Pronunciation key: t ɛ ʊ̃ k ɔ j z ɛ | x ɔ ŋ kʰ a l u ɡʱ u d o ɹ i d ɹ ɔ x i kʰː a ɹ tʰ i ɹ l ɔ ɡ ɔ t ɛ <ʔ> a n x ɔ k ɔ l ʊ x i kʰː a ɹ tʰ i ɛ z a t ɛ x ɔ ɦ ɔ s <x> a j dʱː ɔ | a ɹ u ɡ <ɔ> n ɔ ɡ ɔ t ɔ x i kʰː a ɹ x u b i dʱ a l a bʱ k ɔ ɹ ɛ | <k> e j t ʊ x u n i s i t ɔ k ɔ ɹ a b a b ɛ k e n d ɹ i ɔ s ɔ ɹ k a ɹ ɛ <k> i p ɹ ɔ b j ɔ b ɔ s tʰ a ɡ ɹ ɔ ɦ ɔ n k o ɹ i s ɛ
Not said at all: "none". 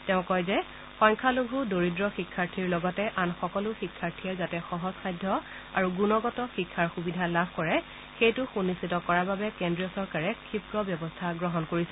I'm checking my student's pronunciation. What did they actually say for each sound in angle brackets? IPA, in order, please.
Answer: ʔ, x, u, x, kʰ

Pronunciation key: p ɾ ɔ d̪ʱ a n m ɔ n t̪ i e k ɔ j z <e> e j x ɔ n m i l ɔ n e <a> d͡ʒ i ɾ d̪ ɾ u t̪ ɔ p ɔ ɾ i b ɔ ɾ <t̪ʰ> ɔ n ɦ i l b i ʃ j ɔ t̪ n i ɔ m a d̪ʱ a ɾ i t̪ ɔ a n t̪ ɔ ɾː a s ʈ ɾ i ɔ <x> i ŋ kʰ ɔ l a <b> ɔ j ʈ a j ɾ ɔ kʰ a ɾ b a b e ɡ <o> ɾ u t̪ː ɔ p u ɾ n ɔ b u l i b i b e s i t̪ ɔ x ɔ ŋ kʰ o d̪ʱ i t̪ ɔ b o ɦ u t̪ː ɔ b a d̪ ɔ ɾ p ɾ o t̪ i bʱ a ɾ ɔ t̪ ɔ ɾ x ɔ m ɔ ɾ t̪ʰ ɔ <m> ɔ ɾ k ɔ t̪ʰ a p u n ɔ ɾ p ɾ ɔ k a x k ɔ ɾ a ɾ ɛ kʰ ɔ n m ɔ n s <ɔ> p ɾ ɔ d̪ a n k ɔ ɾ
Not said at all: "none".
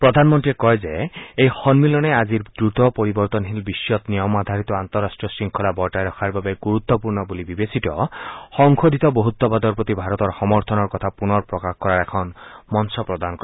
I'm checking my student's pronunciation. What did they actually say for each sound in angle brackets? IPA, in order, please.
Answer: e, a, t̪, s, b, u, n, ɔ

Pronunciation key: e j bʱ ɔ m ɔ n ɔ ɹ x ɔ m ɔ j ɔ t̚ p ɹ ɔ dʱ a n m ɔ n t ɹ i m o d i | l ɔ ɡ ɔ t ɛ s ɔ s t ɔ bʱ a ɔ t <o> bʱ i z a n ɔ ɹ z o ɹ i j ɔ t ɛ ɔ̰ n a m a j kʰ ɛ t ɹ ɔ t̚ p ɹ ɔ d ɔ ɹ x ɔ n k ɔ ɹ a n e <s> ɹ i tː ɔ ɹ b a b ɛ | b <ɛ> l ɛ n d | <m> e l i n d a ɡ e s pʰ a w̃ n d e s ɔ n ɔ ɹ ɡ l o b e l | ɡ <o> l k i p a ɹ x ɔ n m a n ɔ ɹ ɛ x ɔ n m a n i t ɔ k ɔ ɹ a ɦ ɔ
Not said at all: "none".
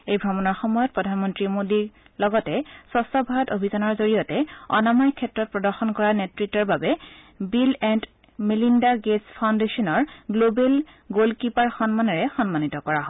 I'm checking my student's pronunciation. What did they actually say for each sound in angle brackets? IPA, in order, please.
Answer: o, t, i, m, o

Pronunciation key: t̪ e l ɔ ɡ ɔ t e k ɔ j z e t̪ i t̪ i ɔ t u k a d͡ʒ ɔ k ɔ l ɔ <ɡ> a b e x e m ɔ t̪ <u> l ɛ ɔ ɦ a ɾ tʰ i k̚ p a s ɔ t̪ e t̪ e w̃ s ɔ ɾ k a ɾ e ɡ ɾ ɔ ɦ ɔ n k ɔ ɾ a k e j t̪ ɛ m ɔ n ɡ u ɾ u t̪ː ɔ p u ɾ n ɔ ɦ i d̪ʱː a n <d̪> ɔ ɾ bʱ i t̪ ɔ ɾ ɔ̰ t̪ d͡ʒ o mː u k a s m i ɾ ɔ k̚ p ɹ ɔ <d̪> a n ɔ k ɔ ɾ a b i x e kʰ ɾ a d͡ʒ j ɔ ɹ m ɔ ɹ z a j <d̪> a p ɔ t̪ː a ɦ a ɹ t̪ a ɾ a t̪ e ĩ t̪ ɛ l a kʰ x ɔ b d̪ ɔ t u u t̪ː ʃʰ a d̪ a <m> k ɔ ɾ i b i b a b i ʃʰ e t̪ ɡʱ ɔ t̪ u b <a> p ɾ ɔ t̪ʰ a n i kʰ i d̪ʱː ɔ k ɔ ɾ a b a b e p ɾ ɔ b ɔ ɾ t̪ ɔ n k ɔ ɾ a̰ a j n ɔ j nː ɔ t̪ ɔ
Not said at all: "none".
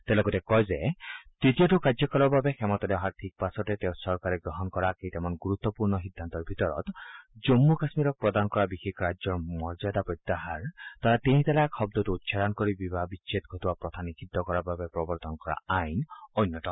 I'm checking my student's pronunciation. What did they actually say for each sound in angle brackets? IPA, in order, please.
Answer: b, ɔ, t̪, d̪, d̪, n, a

